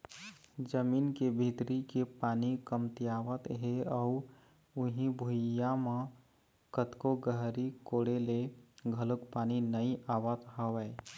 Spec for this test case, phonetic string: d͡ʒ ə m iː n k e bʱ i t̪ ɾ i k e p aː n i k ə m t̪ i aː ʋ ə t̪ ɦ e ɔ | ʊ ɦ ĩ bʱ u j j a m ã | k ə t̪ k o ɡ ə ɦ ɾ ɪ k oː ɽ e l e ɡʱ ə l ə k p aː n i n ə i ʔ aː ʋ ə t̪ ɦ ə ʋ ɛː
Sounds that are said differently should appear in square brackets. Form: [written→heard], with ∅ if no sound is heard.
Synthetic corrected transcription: d͡ʒ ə m iː n k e bʱ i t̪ ɾ i k e p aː n i k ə m t̪ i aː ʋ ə t̪ ɦ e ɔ | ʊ ɦ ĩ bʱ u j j a m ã | k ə t̪ k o ɡ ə ɦ ɾ [ɪ→i] k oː ɽ e l e ɡʱ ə l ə k p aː n i n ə i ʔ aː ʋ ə t̪ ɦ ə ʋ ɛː

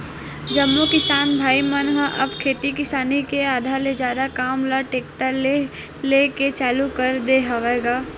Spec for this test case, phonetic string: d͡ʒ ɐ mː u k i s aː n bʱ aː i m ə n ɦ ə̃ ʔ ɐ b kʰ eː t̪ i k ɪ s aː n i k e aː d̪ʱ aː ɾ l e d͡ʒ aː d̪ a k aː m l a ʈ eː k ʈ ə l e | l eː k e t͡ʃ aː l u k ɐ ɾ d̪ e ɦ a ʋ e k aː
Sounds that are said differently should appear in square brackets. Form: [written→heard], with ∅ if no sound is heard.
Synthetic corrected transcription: d͡ʒ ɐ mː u k [i→ɪ] s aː n bʱ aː i m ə n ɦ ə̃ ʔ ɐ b kʰ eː t̪ i k ɪ s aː n i k e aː d̪ʱ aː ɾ l e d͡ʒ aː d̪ a k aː m l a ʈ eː k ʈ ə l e | l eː k e t͡ʃ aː l u k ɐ ɾ d̪ e ɦ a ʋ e [k→ɡ] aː

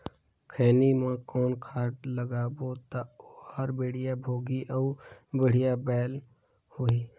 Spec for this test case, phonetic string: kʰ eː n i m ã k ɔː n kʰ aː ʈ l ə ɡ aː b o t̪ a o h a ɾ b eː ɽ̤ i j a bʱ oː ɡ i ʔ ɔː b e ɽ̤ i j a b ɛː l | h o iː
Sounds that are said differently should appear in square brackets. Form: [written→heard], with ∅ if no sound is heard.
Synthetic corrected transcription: kʰ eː n i m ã k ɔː n kʰ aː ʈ l ə ɡ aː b o t̪ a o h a ɾ b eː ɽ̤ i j a bʱ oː ɡ i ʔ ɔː b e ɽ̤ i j a b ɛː l | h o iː

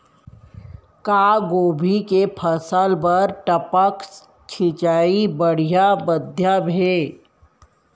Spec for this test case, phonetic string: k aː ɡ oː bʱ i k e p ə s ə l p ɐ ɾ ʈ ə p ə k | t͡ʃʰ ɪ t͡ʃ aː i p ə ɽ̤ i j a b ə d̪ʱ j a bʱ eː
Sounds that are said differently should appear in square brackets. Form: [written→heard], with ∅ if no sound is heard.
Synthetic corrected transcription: k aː ɡ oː bʱ i k e [p→pʰ] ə s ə l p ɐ ɾ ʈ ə p ə k | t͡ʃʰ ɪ t͡ʃ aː i [p→b] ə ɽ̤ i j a b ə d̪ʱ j a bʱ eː

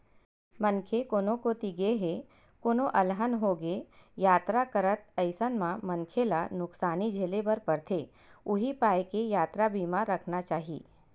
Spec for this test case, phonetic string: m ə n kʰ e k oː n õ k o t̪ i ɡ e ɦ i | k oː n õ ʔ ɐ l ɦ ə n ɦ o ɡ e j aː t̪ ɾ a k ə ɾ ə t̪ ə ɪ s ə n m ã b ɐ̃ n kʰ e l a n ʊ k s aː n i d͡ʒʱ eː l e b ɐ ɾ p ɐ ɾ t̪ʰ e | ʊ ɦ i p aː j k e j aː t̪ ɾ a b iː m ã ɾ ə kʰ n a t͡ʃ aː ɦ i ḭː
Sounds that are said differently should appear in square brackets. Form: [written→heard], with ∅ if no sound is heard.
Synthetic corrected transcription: m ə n kʰ e k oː n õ k o t̪ i ɡ e ɦ [i→e] | k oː n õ ʔ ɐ l ɦ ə n ɦ o ɡ e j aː t̪ ɾ a k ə ɾ ə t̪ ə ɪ s ə n m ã [b→m] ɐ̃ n kʰ e l a n ʊ k s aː n i d͡ʒʱ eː l e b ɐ ɾ p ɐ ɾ t̪ʰ e | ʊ ɦ i p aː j k e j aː t̪ ɾ a b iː m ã ɾ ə kʰ n a t͡ʃ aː ɦ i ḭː

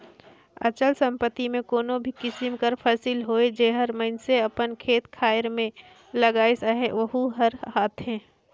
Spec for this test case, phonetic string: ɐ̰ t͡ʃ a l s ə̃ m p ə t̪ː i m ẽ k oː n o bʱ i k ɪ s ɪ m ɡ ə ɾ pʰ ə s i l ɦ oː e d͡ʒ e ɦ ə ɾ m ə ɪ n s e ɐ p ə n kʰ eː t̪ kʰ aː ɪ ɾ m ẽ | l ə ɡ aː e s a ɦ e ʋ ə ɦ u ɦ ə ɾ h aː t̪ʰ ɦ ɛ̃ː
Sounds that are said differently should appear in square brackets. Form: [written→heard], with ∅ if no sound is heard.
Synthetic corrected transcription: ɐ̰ t͡ʃ [a→ə] l s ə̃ m p ə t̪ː i m ẽ k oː n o bʱ i k ɪ s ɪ m [ɡ→k] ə ɾ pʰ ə s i l ɦ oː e d͡ʒ e ɦ ə ɾ m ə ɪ n s e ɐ p ə n kʰ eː t̪ kʰ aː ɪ ɾ m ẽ | l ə ɡ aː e s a ɦ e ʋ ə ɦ u ɦ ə ɾ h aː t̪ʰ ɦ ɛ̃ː

